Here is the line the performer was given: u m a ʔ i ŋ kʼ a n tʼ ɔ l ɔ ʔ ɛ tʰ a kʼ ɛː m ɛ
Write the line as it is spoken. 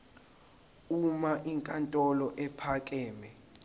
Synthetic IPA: u m a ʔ i ŋ kʼ a n tʼ ɔ l ɔ ʔ ɛ pʰ a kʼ ɛː m ɛ